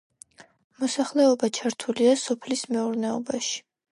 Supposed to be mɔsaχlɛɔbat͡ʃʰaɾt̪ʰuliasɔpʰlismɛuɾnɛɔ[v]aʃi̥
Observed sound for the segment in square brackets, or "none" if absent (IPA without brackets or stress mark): b